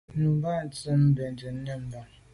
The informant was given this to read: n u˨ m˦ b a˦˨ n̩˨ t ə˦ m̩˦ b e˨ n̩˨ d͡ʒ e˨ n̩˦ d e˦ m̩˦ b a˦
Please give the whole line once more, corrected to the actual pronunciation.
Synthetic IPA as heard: n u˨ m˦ b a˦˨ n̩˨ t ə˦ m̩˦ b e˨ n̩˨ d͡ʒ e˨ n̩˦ n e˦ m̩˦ b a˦